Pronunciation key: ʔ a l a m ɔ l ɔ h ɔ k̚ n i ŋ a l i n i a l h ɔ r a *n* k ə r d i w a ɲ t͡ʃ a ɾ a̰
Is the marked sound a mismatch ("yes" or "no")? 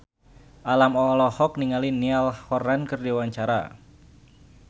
no